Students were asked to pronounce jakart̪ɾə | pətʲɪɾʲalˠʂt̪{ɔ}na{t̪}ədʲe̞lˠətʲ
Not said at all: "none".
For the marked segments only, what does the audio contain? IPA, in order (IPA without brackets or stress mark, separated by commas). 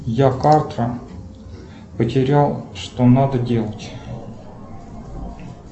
o, d̪